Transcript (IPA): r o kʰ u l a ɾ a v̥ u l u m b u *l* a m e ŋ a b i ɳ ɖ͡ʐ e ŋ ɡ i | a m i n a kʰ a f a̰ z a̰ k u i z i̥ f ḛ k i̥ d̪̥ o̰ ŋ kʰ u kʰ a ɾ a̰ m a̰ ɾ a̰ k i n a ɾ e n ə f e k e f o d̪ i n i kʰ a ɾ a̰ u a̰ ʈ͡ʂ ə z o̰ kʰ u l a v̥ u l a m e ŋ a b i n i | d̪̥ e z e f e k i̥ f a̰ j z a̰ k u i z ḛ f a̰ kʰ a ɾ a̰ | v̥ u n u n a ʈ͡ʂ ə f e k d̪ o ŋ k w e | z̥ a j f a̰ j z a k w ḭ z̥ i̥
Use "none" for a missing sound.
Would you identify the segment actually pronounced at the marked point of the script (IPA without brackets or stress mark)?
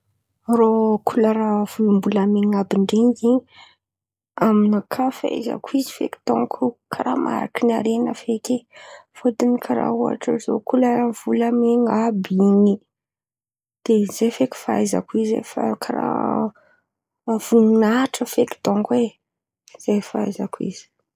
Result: l